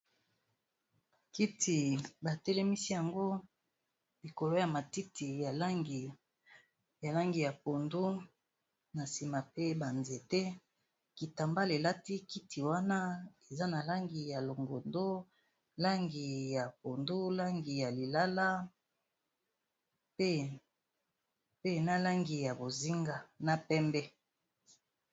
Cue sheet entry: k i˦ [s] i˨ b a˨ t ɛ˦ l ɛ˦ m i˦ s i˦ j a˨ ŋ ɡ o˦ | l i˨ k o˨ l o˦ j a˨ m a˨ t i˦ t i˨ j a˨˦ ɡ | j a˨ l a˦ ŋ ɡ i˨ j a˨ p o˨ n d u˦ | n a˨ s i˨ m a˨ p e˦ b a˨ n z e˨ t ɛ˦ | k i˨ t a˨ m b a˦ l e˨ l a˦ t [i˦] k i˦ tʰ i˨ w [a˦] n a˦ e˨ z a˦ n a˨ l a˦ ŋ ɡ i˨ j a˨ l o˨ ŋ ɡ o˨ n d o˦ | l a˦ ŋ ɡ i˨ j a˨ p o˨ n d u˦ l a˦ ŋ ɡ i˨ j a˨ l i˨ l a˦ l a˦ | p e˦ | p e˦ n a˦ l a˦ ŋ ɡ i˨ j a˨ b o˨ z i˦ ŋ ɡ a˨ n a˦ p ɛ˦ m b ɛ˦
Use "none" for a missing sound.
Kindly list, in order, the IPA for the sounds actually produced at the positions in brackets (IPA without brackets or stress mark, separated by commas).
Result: t, i˦, a˦